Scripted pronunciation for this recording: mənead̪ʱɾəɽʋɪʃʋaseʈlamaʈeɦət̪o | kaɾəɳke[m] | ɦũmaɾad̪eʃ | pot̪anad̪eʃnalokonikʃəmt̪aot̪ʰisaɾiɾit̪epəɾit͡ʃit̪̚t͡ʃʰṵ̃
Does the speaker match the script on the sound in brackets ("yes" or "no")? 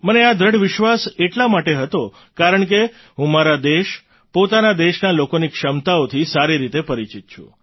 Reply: no